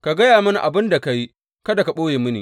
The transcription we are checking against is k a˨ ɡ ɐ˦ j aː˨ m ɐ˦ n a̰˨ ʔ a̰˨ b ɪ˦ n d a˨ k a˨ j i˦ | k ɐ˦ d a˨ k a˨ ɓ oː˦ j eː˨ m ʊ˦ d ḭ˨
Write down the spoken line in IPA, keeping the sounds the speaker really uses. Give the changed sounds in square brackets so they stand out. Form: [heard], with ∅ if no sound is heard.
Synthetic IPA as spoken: k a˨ ɡ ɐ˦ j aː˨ m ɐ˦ n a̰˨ ʔ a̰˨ b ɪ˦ n d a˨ k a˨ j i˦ | k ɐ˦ d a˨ k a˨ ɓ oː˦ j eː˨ m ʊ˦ [n] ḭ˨